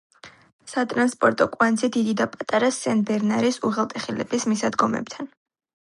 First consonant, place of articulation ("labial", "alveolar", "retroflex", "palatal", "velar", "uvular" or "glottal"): alveolar